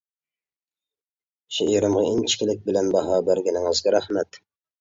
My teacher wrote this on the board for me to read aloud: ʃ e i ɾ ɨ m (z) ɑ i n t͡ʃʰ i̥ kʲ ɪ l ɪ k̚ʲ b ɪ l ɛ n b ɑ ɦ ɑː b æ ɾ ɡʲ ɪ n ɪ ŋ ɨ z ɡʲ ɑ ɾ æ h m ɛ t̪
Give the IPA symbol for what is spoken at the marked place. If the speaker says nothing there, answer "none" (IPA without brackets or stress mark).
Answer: ʁ